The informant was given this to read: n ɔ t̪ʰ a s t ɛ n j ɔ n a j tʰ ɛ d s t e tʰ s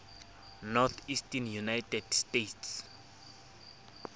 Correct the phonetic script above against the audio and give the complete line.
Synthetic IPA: n ɔ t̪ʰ i s t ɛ n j u n a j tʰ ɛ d s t e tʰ s